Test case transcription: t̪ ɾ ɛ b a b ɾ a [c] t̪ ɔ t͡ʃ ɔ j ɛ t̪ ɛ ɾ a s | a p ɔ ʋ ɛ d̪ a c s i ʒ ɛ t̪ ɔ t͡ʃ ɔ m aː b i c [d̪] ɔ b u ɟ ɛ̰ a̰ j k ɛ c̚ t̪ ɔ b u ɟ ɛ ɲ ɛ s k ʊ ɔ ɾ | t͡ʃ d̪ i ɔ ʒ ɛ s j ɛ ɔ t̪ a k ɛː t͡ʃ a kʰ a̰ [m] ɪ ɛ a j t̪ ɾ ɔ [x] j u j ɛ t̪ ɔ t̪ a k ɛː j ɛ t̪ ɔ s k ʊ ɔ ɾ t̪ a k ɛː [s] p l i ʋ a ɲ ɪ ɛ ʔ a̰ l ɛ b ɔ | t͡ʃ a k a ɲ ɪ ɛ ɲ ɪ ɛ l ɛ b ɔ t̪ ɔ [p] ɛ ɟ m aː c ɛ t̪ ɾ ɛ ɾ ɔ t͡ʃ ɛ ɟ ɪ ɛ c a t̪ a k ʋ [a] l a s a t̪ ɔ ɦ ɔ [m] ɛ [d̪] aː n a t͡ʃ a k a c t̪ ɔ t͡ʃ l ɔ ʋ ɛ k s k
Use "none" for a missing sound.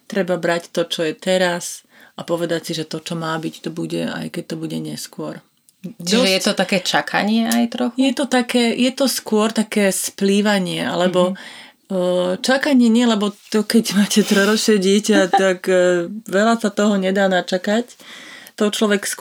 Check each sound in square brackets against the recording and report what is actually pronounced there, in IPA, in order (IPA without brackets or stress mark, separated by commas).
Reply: c, t̪, ɲ, x, s, k, ɛ, ɲ, d̪